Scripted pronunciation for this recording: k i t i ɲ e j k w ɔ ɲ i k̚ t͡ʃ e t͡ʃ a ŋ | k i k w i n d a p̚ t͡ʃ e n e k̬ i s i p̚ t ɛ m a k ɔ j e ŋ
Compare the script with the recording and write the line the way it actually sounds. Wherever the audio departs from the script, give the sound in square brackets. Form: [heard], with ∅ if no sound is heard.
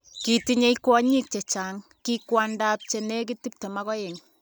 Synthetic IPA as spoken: k i t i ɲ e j k w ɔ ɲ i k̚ t͡ʃ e t͡ʃ a ŋ | k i k w [a] n d a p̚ t͡ʃ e n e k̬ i [t] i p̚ t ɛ m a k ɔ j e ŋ

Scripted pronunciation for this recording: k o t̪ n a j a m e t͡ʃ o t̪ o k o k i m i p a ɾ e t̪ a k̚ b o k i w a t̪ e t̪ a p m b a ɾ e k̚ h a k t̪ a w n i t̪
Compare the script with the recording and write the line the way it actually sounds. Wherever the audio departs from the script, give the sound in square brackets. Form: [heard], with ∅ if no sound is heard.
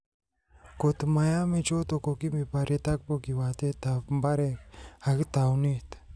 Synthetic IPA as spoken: k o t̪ [m] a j a m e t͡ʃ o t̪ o k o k i m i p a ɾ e t̪ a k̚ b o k i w a t̪ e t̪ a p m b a ɾ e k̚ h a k t̪ a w n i t̪

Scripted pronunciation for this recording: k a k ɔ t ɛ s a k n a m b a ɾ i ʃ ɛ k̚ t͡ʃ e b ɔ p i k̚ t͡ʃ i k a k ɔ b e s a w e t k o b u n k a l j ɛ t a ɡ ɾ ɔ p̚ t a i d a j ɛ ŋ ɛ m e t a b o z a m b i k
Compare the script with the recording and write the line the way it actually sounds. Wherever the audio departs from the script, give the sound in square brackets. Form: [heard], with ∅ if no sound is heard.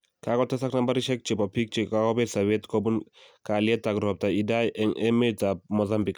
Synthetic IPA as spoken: k a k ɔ t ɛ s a k n a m b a ɾ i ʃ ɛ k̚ t͡ʃ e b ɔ p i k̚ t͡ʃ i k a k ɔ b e s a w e t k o b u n k a l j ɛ t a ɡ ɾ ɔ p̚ t a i d a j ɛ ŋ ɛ m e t a [m] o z a m b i k

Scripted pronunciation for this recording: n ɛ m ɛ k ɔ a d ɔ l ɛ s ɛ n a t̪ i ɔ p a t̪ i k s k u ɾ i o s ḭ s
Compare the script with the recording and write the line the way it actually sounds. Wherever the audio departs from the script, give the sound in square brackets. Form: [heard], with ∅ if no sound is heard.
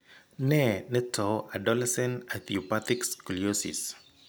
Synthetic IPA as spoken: n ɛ [n] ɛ [t] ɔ a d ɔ l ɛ s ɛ n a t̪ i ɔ p a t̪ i k s k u [l] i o s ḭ s

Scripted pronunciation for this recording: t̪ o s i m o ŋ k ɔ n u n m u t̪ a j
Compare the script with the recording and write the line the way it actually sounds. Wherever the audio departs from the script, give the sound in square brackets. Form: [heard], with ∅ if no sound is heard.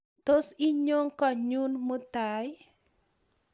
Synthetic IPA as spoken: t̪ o s i [ɲ] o ŋ k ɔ [ɲ] u n m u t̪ a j

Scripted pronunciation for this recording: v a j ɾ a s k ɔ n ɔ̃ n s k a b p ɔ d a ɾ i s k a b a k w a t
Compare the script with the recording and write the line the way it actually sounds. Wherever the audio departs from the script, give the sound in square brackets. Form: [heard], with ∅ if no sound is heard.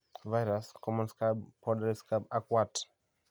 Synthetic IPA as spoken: v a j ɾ a s k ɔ [m] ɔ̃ n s k a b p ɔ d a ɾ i s k a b a k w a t

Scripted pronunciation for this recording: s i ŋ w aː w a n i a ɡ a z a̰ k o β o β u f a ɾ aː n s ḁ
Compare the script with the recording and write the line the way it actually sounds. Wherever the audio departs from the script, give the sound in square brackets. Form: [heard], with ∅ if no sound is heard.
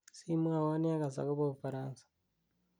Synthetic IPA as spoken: s i [m] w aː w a n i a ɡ a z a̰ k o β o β u f a ɾ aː n s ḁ

